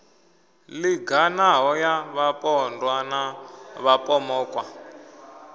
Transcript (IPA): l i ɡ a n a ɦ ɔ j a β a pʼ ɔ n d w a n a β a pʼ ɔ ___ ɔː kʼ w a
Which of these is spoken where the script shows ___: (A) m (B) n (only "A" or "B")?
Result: A